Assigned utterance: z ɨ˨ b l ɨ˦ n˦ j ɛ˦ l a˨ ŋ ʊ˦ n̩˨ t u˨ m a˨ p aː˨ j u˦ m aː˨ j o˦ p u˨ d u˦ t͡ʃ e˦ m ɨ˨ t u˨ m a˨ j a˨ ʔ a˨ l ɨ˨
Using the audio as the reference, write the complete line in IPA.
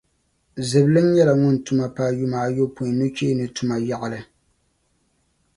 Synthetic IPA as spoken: z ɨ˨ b l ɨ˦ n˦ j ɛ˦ l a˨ ŋ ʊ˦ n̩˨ t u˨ m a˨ p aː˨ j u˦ m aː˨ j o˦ p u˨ n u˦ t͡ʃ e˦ n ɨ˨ t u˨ m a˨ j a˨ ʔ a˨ l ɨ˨